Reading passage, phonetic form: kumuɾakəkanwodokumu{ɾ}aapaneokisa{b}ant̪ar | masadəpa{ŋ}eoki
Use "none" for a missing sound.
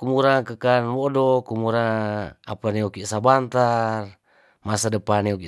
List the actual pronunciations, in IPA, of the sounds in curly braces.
ɾ, b, n

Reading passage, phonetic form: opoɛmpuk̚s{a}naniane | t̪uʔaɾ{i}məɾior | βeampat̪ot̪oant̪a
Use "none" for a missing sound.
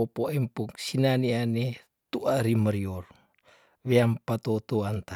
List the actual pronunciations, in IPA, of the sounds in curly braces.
i, i

